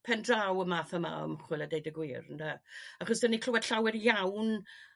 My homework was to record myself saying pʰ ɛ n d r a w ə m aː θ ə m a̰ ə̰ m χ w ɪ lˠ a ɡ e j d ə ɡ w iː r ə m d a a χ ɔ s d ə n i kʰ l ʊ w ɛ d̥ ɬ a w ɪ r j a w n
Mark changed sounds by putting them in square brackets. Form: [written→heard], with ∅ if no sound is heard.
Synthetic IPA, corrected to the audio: pʰ ɛ n d r a w ə m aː θ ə m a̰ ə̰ m χ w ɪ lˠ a [ɡ→d] e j d ə ɡ w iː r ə [m→n] d a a χ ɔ s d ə n i kʰ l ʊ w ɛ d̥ ɬ a w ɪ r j a w n